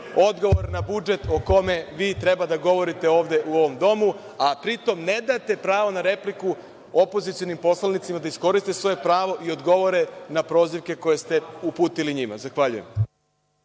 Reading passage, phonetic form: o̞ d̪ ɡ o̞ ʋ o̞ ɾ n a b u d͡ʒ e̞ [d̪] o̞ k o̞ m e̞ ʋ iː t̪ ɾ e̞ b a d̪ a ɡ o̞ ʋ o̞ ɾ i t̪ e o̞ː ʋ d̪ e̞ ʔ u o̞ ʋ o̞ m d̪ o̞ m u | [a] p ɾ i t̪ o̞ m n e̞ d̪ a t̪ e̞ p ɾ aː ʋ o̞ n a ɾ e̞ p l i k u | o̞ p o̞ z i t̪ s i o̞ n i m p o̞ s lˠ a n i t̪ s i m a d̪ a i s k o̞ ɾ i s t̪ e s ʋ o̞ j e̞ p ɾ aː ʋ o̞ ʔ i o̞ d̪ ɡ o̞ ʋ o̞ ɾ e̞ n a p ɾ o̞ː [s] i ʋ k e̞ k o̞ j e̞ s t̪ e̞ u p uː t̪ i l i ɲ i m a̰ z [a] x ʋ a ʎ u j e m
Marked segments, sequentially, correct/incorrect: incorrect: t̪, correct, incorrect: z, correct

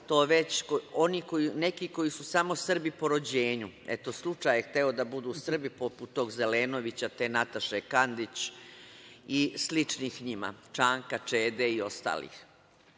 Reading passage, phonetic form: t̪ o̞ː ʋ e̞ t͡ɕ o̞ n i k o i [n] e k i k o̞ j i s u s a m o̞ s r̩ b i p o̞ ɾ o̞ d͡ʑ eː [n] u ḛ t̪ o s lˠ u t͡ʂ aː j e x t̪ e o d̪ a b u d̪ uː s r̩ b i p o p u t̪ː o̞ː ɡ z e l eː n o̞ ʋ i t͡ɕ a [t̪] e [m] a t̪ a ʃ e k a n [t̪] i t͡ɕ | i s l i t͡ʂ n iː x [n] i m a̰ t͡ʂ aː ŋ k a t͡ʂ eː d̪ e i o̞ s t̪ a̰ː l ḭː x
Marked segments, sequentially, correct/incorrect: correct, incorrect: ɲ, correct, incorrect: n, incorrect: d̪, incorrect: ɲ

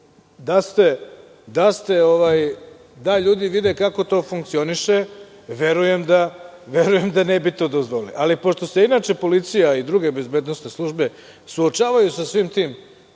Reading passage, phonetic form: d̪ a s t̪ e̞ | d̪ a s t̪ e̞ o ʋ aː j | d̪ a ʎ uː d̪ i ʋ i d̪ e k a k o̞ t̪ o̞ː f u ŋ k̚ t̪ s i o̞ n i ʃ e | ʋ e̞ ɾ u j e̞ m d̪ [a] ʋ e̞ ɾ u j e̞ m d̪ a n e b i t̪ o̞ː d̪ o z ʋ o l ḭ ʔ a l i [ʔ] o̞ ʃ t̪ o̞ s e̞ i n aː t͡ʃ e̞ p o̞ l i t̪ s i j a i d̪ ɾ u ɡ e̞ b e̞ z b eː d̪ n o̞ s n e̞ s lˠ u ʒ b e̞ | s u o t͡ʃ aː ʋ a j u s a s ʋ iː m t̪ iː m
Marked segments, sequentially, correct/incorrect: correct, incorrect: p

